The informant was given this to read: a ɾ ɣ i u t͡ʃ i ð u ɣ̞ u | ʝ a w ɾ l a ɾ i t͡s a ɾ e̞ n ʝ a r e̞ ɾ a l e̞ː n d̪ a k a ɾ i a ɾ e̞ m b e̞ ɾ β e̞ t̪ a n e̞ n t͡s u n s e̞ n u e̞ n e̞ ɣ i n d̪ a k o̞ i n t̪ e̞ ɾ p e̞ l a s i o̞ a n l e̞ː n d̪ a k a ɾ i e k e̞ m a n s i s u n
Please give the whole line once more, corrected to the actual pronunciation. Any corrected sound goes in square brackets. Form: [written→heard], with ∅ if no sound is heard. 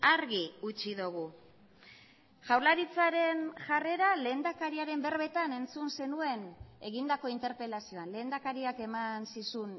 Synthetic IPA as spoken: a ɾ ɣ i u t͡ʃ i ð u ɣ̞ u | ʝ a w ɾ l a ɾ i t͡s a ɾ e̞ n ʝ a r e̞ ɾ a l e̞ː n d̪ a k a ɾ i a ɾ e̞ m b e̞ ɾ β e̞ t̪ a n e̞ n t͡s u n s e̞ n u e̞ n e̞ ɣ i n d̪ a k o̞ i n t̪ e̞ ɾ p e̞ l a s i o̞ a n l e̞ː n d̪ a k a ɾ i [e→a] k e̞ m a n s i s u n